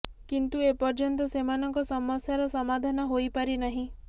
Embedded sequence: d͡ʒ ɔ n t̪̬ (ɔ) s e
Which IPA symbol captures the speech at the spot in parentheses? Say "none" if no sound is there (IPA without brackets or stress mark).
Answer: ɔ